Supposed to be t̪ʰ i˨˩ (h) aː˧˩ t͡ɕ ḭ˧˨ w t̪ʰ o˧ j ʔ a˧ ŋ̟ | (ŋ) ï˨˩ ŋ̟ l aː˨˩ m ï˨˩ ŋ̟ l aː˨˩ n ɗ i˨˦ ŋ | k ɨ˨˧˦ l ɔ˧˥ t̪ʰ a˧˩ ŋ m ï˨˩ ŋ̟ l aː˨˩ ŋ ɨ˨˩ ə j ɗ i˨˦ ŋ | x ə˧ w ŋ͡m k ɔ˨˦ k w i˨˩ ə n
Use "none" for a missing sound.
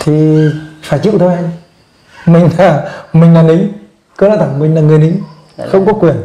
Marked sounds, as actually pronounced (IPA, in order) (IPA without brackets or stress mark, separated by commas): f, m